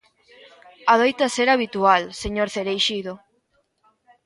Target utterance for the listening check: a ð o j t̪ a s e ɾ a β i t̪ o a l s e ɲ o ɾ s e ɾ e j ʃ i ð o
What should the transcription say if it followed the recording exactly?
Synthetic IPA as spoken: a ð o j t̪ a s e ɾ a β i t̪ u a l s e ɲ o ɾ θ e ɾ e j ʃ i ð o